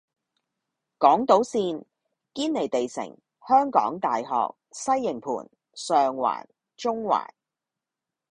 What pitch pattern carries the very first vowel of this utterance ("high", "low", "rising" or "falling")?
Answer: rising